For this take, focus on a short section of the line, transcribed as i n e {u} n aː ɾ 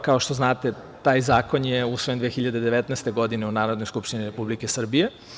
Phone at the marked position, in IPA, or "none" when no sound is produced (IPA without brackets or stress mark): u